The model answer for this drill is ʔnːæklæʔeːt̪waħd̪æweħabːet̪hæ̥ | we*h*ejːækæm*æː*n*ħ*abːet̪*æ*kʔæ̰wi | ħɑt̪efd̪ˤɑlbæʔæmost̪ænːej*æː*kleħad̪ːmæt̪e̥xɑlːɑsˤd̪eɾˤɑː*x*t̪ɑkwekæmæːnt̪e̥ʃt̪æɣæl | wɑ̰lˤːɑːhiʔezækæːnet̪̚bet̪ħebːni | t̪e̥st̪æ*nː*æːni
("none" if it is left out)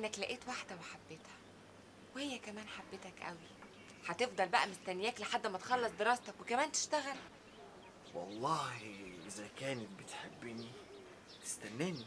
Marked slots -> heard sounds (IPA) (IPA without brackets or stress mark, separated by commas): h, æː, ħ, æ, æː, s, nː